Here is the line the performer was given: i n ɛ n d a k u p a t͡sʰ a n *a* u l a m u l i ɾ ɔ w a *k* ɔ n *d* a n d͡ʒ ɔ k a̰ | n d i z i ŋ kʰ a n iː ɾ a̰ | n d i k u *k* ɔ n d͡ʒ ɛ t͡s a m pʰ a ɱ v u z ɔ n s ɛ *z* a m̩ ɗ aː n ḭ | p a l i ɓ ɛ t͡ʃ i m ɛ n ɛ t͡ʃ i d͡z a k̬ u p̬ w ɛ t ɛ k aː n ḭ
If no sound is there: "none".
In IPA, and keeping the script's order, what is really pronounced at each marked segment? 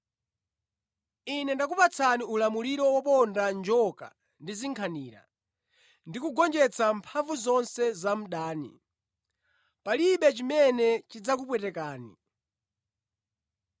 i, p, d, ɡ, z

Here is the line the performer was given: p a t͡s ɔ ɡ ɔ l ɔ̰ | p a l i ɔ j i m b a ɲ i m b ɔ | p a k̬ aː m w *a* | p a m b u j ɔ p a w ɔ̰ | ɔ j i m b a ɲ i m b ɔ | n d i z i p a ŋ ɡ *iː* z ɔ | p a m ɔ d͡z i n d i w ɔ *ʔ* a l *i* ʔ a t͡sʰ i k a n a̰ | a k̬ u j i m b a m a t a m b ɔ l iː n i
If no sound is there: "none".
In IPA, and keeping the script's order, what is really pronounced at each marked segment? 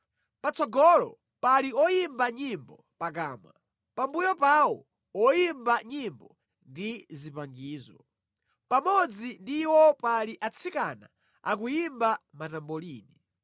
a, iː, p, i

